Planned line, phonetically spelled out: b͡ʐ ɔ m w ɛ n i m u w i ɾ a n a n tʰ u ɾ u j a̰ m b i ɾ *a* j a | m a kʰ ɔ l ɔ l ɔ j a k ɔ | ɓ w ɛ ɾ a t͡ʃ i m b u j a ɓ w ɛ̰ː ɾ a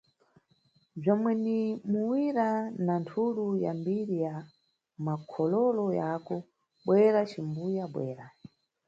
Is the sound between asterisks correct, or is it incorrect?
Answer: incorrect